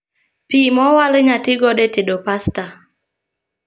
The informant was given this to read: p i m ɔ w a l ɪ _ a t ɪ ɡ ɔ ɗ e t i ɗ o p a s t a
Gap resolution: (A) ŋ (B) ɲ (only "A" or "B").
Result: B